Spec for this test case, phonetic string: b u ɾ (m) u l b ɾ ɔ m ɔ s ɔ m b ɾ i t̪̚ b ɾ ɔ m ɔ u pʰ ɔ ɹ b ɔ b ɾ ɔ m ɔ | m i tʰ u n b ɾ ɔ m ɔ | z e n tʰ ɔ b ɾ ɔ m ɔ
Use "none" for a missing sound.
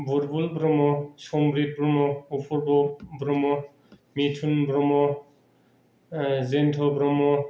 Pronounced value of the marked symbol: b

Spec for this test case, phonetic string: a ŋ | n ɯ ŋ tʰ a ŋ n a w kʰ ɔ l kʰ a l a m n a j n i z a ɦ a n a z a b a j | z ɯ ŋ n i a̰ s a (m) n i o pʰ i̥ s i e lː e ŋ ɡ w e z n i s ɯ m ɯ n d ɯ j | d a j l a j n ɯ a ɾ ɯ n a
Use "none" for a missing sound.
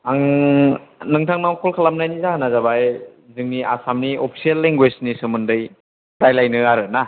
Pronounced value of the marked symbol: m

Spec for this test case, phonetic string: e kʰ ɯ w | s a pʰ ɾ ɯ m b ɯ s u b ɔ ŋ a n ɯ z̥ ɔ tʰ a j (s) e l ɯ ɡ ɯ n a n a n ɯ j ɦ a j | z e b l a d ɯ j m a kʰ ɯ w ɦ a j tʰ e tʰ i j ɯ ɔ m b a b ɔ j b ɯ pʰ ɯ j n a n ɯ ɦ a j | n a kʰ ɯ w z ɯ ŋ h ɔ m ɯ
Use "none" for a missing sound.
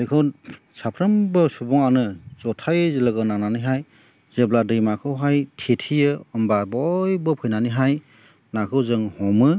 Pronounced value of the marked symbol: z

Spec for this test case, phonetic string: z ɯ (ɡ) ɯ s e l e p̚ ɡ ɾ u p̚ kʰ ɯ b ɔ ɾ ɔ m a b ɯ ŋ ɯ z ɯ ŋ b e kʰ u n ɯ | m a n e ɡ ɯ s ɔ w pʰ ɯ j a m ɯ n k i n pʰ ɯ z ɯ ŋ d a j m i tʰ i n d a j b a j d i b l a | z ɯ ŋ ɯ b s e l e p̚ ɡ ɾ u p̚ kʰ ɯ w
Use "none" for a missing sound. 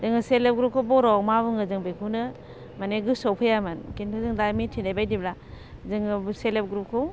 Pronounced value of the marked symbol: ŋ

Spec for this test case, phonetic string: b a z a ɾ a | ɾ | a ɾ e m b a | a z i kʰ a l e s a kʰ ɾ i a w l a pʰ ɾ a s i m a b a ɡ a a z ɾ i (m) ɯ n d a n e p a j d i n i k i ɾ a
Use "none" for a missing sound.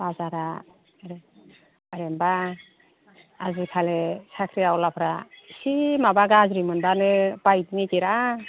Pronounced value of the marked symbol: m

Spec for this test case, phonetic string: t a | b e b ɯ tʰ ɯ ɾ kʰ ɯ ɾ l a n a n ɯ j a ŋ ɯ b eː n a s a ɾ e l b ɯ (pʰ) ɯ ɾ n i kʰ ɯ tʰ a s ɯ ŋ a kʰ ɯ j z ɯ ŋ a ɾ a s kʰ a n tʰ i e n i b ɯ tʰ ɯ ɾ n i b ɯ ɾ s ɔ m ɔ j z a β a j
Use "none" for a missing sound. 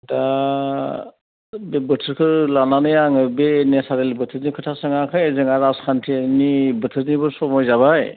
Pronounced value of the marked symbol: tʰ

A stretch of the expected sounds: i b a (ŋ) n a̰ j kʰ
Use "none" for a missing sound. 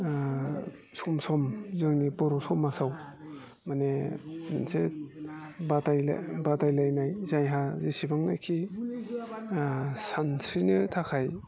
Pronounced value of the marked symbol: ŋ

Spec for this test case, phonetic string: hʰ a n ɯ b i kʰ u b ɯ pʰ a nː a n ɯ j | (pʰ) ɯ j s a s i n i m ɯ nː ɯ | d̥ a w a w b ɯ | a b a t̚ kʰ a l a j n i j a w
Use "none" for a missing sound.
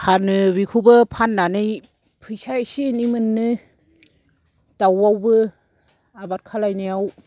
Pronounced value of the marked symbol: pʰ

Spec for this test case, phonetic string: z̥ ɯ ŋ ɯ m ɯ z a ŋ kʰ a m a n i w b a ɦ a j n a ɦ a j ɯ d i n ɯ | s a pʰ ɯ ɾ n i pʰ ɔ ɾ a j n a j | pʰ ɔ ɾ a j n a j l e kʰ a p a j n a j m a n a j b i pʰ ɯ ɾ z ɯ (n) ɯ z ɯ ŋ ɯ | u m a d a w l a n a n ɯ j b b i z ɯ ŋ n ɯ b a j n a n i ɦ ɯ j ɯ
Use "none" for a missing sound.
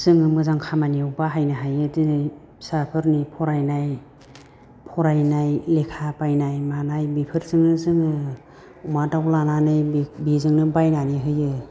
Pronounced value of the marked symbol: ŋ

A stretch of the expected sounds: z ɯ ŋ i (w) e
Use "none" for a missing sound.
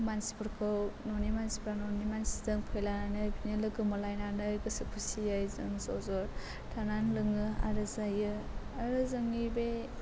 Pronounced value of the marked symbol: b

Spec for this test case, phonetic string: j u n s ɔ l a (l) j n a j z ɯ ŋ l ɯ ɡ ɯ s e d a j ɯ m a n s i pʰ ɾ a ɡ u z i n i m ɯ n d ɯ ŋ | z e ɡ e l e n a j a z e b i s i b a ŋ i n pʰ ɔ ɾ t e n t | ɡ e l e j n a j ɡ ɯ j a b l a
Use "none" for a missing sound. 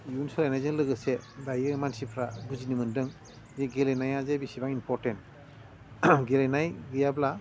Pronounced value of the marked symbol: none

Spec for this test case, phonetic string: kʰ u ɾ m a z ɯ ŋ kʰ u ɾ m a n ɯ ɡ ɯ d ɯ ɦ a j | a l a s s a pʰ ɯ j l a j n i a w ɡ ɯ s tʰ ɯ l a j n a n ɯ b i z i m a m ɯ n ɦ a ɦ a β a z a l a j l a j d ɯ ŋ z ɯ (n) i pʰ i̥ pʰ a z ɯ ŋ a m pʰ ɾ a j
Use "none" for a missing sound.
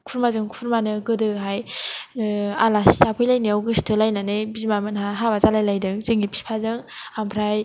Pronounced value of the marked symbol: ŋ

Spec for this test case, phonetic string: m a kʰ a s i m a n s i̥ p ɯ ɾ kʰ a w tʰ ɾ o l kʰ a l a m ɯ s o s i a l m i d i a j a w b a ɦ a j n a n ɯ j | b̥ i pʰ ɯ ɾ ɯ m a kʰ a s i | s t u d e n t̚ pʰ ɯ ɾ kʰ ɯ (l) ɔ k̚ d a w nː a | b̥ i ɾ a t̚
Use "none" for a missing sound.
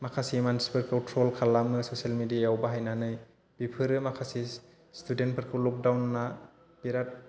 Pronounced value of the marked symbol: l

